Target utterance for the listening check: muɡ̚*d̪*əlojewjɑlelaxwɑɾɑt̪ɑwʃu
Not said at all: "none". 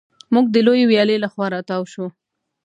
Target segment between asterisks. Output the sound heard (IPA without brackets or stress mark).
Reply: d̪